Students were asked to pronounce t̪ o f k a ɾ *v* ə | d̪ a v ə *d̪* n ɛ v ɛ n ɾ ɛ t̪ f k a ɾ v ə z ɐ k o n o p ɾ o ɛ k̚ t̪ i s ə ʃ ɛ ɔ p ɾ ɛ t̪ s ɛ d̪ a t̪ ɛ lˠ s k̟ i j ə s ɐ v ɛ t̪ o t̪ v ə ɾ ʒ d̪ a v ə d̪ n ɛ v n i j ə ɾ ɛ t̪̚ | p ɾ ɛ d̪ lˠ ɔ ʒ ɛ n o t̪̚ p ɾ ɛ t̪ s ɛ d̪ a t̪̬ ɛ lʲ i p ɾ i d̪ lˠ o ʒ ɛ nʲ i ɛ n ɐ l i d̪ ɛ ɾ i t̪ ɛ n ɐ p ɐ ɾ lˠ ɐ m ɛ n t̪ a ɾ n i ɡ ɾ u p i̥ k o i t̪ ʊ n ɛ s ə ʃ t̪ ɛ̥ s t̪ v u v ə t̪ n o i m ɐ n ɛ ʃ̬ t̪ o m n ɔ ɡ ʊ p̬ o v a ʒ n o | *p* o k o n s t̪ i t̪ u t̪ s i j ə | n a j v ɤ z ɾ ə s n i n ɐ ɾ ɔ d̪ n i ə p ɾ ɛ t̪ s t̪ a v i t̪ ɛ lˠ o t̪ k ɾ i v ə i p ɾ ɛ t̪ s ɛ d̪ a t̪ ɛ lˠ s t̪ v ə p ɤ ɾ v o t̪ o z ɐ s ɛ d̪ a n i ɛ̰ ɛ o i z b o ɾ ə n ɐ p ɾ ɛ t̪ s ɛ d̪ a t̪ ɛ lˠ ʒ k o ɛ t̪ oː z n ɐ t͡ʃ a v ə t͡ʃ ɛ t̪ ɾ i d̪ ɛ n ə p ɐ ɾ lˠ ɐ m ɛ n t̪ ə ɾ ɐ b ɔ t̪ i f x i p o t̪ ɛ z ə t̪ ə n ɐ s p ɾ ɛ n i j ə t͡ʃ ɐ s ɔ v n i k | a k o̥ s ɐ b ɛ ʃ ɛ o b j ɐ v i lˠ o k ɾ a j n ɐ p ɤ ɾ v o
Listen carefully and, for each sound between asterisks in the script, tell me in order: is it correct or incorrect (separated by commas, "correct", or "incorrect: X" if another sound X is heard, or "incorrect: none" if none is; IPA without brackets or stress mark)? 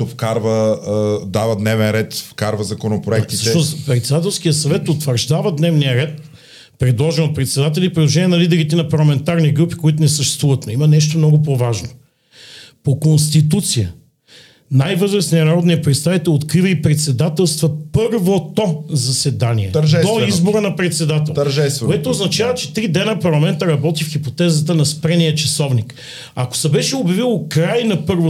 correct, correct, correct